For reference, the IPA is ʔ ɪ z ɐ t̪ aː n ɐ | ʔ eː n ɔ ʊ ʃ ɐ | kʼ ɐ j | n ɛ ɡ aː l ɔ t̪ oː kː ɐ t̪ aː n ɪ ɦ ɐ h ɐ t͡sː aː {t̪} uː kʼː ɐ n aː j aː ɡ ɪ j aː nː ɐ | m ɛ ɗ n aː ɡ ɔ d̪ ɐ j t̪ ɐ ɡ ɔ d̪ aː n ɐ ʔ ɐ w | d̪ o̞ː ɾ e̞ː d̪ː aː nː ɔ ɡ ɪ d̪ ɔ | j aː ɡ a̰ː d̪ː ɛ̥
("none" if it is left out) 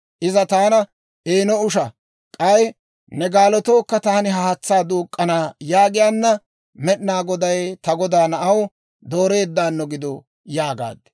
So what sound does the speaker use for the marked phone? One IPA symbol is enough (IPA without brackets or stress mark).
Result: d̪